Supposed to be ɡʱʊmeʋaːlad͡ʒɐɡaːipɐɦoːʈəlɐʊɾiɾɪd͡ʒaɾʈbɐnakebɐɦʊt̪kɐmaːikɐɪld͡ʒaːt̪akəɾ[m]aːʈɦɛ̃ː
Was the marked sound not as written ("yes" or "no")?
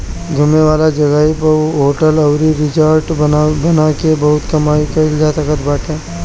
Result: yes